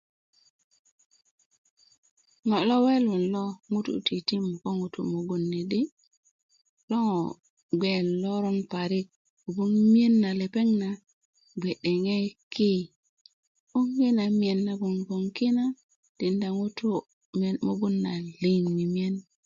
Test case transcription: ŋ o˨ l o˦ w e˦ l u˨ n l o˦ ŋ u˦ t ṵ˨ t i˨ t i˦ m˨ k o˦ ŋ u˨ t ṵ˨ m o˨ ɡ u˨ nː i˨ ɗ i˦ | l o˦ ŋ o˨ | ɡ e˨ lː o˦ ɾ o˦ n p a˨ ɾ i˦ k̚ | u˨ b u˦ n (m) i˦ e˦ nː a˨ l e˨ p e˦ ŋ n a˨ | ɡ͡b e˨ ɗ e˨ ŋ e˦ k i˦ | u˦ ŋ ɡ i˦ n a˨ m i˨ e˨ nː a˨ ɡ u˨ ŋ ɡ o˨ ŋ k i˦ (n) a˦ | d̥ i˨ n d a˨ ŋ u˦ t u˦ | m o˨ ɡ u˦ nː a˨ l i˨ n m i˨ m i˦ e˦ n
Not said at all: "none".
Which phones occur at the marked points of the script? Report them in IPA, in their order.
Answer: m, n

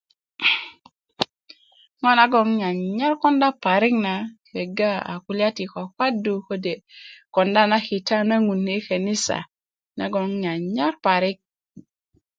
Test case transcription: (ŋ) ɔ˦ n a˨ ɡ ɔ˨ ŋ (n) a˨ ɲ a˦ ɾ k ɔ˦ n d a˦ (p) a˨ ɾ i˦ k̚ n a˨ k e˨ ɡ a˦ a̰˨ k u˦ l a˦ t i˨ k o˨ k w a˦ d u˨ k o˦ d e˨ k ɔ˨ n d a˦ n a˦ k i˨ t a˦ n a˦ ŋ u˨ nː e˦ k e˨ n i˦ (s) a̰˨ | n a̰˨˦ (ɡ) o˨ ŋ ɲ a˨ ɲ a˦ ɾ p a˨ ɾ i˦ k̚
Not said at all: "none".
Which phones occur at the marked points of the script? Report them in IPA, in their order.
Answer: ŋ, ɲ, p, s, ɡ

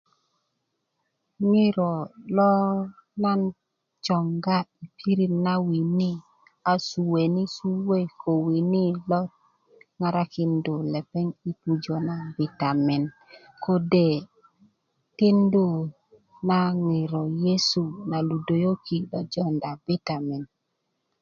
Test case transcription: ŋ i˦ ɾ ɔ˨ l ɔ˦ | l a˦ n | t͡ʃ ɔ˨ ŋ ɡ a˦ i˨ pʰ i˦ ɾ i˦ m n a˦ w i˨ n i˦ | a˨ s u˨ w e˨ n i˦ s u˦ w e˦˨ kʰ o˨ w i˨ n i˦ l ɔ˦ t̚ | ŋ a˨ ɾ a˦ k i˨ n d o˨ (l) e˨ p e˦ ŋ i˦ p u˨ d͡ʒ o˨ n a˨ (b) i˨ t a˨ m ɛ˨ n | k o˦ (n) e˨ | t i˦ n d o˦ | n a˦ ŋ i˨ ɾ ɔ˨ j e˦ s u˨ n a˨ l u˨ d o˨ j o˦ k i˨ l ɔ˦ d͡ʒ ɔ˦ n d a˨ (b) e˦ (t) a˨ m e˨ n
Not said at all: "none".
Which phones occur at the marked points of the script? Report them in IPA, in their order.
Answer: l, b, d, b, t

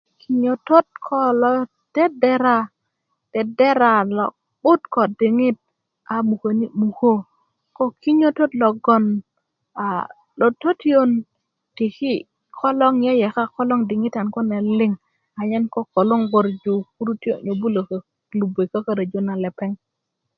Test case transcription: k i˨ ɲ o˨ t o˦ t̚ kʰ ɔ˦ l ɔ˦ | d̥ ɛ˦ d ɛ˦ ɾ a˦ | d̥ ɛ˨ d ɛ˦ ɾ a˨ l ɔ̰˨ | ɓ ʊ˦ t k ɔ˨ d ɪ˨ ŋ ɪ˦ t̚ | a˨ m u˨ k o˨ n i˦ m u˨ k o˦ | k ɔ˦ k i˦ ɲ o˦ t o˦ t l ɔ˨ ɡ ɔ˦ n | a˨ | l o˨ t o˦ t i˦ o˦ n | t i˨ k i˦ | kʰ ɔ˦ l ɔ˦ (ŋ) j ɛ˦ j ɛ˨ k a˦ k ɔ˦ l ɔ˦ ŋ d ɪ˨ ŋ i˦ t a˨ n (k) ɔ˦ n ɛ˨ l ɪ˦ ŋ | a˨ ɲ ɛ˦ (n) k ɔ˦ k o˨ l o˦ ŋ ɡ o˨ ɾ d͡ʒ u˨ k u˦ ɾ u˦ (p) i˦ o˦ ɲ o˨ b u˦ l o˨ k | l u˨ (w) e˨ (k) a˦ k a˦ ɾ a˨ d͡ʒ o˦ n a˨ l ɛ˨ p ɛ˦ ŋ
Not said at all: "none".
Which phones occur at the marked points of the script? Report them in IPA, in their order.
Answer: ŋ, k, n, t, b, k

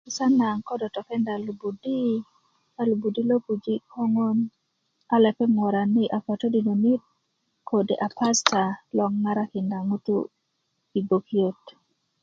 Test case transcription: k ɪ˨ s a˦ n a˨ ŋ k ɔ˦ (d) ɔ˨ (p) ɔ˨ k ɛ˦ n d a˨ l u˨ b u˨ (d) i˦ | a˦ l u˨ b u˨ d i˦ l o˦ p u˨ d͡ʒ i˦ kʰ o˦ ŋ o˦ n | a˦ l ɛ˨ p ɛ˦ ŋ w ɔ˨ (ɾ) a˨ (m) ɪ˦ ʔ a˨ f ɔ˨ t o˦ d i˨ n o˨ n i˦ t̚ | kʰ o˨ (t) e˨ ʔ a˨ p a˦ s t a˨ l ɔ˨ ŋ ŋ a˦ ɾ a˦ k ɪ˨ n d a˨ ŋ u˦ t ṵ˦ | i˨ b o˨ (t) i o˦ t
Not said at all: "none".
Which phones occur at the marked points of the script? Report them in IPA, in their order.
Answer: d, t, d, ɾ, n, d, k

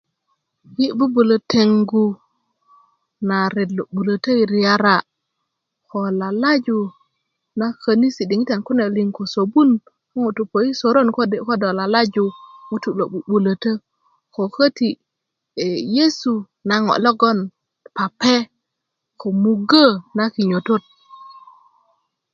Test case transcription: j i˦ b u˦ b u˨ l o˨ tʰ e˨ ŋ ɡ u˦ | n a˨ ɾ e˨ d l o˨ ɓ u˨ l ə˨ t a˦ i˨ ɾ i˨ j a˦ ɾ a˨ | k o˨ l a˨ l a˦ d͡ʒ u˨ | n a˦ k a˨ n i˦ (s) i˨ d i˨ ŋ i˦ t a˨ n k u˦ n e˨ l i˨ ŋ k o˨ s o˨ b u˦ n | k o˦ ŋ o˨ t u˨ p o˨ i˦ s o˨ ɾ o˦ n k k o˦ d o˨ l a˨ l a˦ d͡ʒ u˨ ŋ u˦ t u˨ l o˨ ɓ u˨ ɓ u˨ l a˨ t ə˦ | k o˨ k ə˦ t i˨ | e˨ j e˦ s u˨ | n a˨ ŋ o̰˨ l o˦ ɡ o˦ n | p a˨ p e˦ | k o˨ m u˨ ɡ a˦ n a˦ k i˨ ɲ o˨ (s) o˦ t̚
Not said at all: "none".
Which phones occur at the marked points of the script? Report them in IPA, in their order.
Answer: s, t

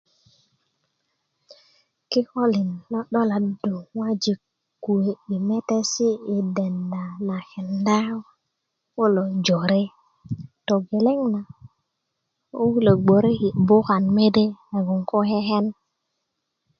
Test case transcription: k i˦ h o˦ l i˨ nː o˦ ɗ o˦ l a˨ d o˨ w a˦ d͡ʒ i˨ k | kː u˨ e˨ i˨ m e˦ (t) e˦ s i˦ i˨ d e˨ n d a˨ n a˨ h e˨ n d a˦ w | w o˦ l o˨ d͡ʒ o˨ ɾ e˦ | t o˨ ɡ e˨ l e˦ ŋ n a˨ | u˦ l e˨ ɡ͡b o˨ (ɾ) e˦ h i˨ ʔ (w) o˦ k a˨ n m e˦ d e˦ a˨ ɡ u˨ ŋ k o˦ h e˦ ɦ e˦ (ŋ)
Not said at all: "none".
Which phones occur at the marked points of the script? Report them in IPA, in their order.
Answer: t, ɾ, b, n

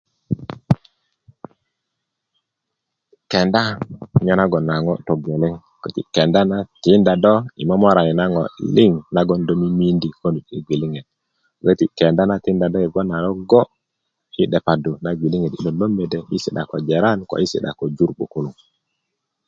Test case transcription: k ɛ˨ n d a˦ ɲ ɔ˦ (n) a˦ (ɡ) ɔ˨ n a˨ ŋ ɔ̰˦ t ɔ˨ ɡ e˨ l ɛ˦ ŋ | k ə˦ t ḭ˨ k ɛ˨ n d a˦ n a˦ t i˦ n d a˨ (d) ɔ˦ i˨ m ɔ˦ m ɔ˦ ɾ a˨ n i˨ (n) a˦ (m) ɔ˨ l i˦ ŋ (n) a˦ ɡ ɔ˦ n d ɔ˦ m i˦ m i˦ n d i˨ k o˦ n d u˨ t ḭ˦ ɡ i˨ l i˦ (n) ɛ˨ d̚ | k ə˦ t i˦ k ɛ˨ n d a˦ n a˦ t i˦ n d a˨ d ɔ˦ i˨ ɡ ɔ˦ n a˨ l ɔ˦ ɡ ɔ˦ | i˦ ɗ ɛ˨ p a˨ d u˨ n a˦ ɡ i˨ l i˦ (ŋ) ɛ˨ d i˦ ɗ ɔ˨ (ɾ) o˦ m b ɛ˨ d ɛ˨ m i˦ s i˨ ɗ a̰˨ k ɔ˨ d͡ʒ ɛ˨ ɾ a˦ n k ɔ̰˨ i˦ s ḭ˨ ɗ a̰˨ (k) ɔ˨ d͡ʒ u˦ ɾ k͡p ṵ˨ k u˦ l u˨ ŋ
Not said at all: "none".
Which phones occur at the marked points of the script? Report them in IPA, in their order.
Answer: n, ɡ, d, n, ŋ, n, ŋ, ŋ, l, k

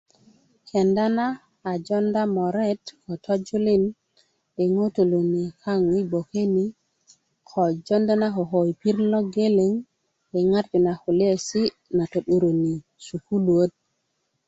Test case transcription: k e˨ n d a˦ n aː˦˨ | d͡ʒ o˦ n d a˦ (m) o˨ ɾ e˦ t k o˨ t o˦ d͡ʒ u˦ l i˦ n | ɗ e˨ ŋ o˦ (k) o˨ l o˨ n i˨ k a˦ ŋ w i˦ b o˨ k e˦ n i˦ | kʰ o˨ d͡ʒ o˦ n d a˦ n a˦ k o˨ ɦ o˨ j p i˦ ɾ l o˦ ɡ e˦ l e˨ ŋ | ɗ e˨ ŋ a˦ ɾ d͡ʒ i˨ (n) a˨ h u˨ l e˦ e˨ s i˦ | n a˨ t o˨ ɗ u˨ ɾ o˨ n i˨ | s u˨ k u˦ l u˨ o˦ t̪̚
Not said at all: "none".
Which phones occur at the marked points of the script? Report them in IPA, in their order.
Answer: m, t, n

